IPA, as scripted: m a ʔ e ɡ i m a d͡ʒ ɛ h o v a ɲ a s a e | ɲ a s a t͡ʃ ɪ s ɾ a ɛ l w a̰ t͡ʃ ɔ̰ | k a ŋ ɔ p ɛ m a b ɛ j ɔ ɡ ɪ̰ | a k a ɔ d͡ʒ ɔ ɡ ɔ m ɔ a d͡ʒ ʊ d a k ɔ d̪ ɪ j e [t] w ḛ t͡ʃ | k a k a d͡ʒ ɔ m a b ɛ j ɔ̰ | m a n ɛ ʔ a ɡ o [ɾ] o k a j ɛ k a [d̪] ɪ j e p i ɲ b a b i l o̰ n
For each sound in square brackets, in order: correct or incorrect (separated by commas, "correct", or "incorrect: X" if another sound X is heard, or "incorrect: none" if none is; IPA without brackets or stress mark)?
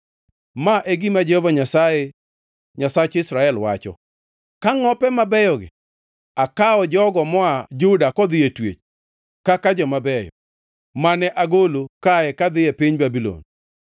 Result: correct, incorrect: l, correct